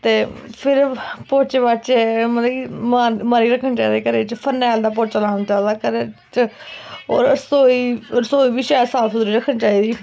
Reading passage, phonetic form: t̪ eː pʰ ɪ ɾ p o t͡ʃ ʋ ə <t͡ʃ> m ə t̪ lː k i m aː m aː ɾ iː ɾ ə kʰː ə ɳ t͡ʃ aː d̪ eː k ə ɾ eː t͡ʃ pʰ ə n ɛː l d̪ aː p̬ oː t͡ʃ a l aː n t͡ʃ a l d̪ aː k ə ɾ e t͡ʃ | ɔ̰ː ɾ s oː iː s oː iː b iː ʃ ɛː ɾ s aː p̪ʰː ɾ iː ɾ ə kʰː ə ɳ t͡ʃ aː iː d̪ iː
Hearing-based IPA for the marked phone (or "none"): t͡ʃ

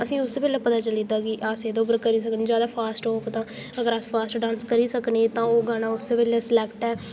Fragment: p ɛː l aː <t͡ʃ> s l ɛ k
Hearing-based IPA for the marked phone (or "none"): none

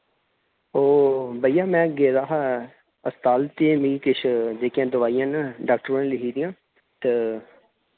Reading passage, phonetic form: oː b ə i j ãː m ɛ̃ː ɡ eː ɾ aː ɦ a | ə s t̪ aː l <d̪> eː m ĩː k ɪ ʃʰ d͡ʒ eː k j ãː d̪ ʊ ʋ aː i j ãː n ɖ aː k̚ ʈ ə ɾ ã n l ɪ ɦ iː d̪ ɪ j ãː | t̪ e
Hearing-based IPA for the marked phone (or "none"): t̪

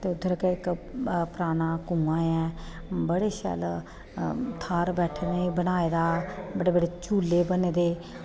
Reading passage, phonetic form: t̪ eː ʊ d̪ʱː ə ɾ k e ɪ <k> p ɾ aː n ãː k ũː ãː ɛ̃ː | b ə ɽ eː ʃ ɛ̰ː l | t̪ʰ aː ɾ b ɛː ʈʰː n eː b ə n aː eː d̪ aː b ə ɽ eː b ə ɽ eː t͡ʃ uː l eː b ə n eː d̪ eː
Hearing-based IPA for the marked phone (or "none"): k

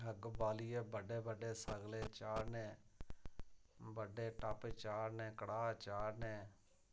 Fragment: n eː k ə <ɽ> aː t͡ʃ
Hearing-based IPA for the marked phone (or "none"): ɽ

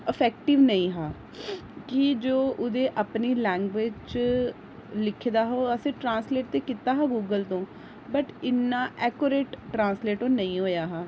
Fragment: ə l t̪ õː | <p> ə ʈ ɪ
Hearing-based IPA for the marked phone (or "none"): b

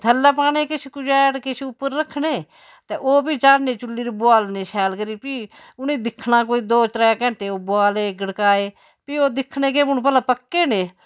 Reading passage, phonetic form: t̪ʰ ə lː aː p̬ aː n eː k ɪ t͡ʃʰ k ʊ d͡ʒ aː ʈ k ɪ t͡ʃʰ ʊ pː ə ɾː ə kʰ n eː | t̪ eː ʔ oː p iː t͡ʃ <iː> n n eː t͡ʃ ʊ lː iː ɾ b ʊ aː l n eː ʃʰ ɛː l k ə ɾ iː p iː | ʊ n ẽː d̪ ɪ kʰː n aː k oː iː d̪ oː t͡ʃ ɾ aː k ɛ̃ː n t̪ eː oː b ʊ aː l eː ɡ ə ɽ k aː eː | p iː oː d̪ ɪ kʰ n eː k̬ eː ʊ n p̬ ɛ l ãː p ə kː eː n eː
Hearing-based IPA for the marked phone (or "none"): aː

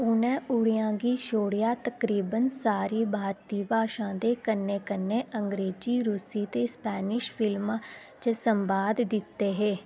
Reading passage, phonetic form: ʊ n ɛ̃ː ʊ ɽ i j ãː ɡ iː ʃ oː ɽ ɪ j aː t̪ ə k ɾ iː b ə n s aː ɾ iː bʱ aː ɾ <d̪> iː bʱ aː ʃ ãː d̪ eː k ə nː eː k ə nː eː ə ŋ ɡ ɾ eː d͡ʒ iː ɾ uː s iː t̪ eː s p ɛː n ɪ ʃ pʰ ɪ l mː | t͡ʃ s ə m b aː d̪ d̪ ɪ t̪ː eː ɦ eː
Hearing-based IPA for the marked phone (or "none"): t̪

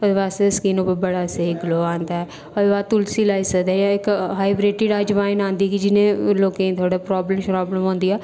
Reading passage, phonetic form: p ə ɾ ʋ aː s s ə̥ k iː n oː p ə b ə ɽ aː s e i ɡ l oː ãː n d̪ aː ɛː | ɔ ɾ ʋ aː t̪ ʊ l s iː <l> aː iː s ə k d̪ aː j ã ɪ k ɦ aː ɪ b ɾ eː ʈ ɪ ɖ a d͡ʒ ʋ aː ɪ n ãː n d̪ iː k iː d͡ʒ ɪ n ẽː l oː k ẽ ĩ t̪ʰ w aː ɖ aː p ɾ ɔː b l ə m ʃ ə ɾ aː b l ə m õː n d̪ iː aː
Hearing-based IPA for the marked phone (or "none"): l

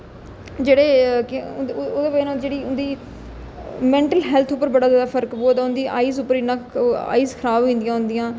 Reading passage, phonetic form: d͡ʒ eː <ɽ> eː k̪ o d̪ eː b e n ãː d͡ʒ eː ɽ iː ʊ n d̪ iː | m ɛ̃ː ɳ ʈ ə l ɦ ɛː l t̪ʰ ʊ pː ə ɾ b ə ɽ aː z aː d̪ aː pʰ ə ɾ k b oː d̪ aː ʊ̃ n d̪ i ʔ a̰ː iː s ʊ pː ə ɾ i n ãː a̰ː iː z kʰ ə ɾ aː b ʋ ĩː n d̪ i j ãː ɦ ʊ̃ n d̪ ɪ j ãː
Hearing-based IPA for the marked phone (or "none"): ɽ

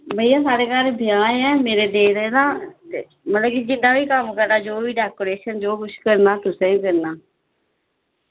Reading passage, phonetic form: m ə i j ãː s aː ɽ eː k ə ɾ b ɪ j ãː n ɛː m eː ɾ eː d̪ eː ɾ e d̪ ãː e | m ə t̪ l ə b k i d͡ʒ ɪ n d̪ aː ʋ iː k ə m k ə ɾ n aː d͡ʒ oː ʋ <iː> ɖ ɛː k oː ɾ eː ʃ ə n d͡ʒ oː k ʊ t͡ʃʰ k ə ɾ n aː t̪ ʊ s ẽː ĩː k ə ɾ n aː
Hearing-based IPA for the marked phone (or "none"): iː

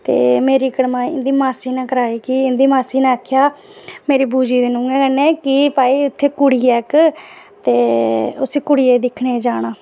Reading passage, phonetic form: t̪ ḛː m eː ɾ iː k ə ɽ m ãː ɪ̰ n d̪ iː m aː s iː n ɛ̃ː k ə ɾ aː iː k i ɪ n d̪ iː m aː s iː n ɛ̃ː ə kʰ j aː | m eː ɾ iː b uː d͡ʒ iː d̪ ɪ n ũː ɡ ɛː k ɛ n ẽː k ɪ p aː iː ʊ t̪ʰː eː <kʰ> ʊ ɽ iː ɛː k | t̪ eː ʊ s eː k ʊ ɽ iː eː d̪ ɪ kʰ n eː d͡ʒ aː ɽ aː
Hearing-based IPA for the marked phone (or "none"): k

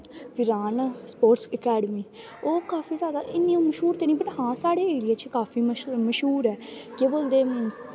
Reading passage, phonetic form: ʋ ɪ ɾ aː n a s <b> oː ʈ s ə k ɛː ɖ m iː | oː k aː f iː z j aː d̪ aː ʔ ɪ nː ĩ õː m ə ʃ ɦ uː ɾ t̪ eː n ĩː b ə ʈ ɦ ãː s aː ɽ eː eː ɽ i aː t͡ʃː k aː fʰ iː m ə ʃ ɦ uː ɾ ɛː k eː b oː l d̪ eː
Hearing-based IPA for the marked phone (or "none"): p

